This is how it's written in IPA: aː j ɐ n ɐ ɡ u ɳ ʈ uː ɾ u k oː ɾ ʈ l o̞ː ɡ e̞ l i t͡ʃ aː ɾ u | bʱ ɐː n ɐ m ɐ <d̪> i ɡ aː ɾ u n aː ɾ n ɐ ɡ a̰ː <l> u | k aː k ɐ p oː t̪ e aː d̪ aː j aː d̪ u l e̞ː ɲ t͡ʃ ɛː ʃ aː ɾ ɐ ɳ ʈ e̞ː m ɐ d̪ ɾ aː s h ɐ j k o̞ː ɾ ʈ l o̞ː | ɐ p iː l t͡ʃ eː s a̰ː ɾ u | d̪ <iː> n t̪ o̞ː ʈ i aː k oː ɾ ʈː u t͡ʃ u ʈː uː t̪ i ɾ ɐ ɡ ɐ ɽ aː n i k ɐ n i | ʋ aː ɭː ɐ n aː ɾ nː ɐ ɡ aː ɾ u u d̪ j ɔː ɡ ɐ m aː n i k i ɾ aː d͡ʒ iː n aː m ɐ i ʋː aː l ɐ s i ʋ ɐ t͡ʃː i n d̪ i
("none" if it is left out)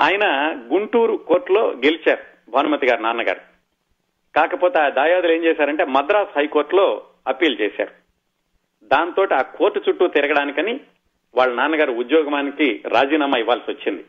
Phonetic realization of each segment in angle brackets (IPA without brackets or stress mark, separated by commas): t̪, ɾ, aː